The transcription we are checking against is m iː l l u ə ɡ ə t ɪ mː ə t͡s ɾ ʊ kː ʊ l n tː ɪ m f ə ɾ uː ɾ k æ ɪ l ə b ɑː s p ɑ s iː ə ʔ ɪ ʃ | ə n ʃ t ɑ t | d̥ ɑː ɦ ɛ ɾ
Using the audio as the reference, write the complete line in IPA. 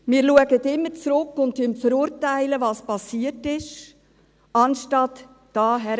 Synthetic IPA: m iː ɾ l u ə ɡ ə t ɪ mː ə t͡s ɾ ʊ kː ʊ n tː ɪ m f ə ɾ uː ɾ t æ ɪ l ə v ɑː s p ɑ s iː ə t ɪ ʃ | ɑ n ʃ t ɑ t | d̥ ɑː ɦ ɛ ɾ